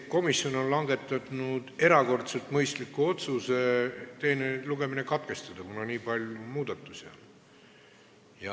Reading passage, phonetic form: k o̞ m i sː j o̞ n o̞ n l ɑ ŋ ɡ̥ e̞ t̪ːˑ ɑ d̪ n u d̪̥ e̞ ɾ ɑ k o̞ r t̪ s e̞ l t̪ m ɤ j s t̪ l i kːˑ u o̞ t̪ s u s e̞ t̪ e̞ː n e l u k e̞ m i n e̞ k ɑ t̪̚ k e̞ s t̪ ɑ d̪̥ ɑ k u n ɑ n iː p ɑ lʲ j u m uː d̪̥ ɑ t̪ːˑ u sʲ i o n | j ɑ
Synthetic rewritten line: k o̞ m i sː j o̞ n o̞ n l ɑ ŋ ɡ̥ e̞ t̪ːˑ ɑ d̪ n u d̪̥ e̞ ɾ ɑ k o̞ r t̪ s e̞ l t̪ m ɤ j s t̪ l i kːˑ u o̞ t̪ s u s e̞ t̪ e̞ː n e l u ɡ e̞ m i n e̞ k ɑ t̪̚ k e̞ s t̪ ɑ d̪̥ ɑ k u n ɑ n iː p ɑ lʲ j u m uː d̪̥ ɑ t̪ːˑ u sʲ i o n | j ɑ